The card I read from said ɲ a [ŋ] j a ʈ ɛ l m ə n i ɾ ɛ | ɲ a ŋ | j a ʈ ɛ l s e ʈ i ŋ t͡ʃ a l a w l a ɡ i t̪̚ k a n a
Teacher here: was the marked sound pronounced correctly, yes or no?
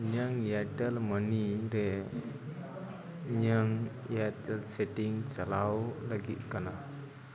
yes